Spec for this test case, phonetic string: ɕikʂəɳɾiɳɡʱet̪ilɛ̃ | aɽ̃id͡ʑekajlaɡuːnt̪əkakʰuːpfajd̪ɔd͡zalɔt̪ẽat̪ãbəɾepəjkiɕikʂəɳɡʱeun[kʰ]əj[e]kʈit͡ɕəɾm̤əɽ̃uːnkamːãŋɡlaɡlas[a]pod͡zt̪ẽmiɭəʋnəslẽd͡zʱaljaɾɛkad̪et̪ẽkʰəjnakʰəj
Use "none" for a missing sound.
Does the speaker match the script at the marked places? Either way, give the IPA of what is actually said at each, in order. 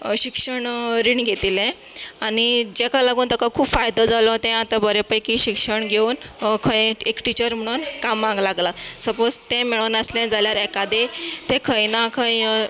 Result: kʰ, e, ə

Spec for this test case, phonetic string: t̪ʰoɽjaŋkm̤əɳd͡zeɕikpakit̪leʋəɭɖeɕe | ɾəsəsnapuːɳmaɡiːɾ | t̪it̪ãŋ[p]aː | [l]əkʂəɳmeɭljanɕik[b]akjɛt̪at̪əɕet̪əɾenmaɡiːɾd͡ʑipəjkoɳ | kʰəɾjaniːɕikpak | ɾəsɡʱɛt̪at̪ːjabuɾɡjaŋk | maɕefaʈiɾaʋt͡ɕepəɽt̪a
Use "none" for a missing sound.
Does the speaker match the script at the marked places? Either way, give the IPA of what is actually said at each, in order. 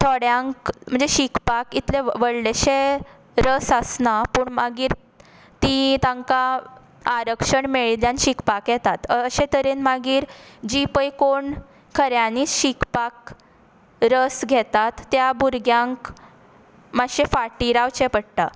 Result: k, ɾ, p

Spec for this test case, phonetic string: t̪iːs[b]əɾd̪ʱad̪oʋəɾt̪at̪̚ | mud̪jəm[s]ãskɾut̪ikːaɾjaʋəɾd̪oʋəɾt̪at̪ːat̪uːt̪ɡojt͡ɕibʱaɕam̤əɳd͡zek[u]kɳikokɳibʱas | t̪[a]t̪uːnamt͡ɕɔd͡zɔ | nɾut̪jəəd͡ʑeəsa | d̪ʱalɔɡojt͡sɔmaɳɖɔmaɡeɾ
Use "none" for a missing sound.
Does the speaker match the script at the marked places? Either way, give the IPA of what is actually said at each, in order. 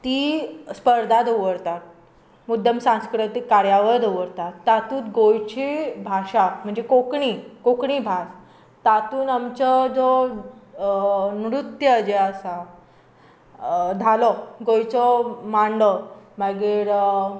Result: p, s, o, a

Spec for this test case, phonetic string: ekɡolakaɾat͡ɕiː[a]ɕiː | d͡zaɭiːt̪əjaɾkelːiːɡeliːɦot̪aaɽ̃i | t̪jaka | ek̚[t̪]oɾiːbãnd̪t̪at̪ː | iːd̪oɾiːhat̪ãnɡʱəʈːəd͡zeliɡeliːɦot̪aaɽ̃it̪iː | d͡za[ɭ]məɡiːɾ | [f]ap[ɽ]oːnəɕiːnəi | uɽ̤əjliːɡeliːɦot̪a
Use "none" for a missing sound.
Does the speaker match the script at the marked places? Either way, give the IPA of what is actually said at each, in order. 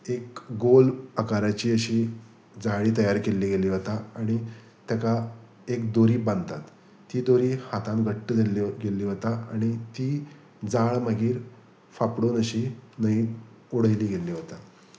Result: ə, d̪, ɭ, f, ɽ

